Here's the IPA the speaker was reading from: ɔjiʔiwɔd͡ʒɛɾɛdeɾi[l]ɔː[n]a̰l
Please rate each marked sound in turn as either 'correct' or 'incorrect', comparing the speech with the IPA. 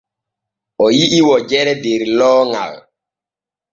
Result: correct, incorrect: ŋ

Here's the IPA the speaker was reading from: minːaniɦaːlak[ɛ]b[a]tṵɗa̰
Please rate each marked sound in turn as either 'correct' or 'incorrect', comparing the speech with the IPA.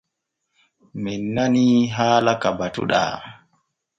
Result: incorrect: a, correct

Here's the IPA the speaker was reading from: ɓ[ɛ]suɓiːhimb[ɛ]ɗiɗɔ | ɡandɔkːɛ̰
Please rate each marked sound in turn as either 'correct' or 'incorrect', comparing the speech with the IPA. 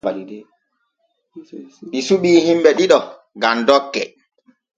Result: incorrect: i, correct

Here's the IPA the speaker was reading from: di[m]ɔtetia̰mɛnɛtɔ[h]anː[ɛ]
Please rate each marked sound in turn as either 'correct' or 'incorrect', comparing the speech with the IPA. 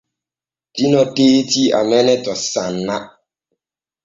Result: incorrect: n, incorrect: s, incorrect: a

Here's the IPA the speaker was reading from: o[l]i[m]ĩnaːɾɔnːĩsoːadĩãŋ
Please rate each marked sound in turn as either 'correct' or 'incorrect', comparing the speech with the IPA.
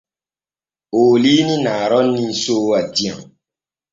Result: correct, incorrect: n

